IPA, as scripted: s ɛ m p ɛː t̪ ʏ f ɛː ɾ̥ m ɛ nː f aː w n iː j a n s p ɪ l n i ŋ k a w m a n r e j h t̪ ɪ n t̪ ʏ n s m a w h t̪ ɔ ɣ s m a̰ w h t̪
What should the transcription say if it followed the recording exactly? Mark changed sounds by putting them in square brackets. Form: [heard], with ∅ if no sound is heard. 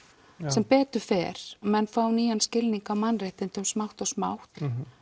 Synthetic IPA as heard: s ɛ m p ɛː t̪ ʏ f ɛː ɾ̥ m ɛ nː f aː w n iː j a n s [c] ɪ l n i ŋ k a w m a n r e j h t̪ ɪ n t̪ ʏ [m] s m a w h t̪ ɔ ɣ s m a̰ w h t̪